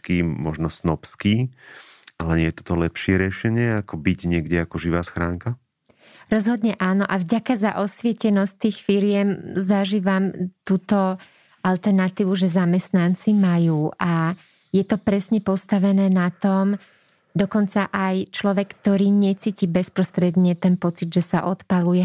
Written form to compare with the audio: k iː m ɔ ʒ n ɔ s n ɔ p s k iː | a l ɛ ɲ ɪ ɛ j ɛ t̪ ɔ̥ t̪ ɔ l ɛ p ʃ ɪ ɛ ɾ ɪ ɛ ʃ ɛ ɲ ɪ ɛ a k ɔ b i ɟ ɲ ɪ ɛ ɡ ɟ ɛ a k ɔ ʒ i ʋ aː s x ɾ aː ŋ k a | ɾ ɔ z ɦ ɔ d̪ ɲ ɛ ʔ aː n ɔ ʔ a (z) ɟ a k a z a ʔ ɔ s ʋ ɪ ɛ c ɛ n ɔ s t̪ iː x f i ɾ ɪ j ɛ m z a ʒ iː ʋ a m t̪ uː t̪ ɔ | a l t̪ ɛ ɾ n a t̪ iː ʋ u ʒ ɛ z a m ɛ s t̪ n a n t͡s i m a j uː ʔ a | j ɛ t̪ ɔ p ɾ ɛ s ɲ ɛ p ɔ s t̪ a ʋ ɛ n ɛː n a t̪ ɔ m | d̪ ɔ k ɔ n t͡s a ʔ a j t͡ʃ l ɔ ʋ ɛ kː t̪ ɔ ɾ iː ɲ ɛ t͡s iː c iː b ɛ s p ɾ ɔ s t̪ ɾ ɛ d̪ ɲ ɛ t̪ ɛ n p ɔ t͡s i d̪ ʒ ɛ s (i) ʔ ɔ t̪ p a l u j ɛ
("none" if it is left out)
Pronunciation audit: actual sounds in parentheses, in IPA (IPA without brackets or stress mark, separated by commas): v, a